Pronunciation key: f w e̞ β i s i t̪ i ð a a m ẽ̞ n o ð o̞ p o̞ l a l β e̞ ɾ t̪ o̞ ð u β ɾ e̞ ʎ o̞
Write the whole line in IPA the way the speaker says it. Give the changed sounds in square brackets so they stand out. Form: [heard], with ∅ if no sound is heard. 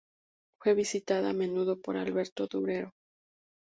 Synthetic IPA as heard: f w e̞ β i s i t̪ [a] ð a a m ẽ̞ n [u] ð o̞ p o̞ [ɾ] a l β e̞ ɾ t̪ o̞ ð u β ɾ e̞ [ɾ] o̞